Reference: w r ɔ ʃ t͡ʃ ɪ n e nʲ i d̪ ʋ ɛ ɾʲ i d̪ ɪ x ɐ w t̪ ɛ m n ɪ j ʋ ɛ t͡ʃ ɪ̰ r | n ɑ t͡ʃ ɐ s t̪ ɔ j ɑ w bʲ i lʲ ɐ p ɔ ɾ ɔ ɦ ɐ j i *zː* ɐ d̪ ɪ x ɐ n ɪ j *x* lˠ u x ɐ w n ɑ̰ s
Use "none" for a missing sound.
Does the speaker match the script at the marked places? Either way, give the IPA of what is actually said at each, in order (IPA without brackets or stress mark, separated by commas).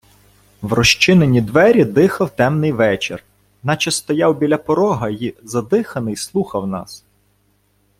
z, s